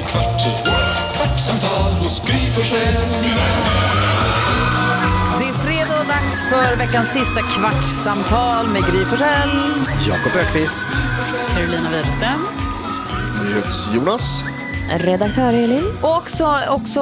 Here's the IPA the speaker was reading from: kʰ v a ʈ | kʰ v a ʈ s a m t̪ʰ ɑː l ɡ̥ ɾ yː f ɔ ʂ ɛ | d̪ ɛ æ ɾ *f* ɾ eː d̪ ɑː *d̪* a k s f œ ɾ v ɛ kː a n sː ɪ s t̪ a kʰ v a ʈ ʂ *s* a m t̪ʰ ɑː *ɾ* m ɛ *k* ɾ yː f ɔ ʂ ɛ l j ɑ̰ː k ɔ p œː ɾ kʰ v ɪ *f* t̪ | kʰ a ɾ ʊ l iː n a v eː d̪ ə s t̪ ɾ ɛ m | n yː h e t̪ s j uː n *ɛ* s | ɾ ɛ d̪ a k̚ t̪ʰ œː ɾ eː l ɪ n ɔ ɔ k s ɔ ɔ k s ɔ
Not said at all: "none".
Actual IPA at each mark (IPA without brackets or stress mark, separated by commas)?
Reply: f, d̪, s, l, ɡ, s, a